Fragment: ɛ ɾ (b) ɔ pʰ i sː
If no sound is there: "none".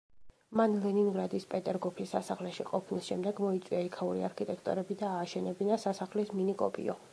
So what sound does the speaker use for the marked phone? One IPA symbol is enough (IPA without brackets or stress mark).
ɡ